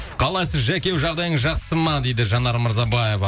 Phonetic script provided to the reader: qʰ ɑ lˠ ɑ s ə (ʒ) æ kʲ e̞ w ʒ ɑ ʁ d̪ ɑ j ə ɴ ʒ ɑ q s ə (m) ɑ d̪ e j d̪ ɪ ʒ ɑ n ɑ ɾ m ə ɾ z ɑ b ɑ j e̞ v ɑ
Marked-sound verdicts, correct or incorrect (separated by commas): correct, correct